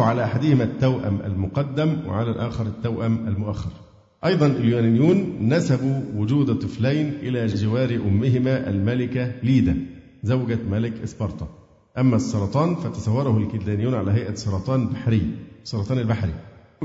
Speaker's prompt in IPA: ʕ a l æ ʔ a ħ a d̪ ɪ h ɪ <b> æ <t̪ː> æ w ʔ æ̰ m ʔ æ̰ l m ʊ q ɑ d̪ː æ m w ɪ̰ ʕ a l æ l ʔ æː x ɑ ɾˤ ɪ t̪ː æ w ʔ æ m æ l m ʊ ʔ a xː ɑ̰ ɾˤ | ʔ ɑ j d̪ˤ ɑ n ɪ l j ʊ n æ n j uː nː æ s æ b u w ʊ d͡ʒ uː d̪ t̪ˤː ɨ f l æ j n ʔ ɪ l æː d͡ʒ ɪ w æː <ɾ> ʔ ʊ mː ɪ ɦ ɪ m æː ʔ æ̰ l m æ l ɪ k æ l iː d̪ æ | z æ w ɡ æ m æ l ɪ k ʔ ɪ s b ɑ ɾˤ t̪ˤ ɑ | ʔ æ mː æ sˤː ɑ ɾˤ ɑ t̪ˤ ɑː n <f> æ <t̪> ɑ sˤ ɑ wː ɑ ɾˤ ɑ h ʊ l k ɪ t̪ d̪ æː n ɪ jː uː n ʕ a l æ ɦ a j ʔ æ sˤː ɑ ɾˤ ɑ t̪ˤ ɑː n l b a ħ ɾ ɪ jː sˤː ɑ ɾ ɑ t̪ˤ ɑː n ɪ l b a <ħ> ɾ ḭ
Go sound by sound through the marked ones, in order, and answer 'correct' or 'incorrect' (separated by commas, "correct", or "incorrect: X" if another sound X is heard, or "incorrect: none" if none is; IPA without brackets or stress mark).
incorrect: m, correct, correct, correct, correct, correct